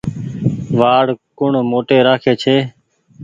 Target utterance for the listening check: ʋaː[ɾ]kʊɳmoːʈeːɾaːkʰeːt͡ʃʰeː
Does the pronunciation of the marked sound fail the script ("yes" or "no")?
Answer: yes